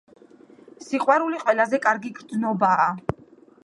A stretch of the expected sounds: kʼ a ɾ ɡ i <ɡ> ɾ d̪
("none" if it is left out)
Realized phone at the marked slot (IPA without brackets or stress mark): ɡ